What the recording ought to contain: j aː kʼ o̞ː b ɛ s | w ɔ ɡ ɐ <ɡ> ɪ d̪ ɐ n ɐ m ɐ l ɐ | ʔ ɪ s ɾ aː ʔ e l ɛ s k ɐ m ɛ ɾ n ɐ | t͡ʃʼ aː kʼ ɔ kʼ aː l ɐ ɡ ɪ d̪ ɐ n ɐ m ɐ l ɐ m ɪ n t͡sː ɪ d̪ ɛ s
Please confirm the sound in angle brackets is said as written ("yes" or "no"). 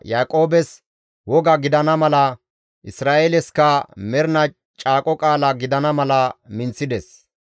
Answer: yes